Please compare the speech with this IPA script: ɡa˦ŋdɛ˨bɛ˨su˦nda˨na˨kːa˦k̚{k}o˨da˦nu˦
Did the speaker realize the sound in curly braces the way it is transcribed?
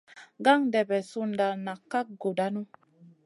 no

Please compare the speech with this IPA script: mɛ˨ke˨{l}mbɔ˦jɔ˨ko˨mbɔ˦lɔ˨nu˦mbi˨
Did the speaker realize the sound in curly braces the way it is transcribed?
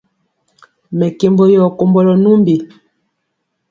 no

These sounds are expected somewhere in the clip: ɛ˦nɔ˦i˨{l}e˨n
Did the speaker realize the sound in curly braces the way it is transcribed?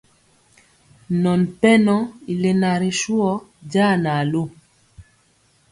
yes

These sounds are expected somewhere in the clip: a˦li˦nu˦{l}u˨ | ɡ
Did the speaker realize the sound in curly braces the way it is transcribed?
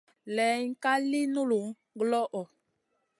yes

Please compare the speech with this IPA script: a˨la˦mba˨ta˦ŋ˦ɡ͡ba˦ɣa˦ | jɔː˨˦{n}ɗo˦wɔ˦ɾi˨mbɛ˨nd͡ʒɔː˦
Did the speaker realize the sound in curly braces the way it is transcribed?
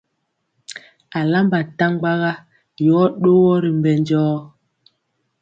no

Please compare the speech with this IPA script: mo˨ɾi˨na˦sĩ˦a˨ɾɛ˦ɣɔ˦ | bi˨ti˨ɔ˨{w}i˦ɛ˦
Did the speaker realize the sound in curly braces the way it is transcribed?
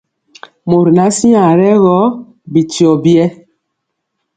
no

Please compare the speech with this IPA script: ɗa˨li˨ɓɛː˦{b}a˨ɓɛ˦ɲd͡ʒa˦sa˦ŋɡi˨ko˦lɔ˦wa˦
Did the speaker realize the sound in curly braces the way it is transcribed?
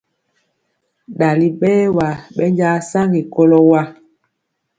no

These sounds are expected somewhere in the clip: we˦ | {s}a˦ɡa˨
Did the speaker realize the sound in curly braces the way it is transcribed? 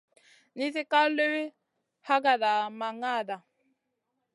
no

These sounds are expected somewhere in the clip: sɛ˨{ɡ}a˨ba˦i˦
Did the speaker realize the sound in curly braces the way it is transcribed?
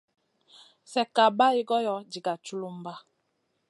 no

